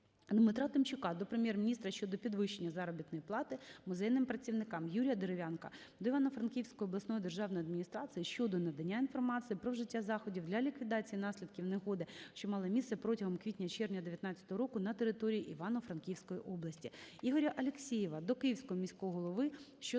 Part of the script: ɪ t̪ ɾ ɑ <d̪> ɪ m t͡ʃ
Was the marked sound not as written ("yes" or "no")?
yes